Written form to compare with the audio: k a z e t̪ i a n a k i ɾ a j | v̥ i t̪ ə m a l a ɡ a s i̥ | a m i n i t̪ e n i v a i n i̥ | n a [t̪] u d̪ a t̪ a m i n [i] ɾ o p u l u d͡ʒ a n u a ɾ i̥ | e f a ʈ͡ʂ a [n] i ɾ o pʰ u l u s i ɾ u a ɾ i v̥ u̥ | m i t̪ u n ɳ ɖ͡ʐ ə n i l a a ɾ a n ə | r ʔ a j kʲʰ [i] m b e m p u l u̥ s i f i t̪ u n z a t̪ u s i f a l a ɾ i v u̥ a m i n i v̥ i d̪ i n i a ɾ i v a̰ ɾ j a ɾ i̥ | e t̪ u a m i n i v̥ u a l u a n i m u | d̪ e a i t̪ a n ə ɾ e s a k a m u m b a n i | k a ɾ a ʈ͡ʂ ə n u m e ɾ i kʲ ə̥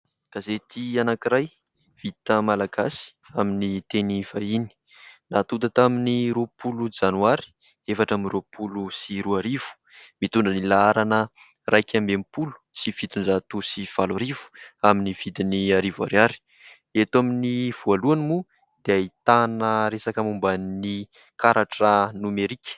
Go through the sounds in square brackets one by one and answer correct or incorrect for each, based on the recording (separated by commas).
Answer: correct, correct, incorrect, incorrect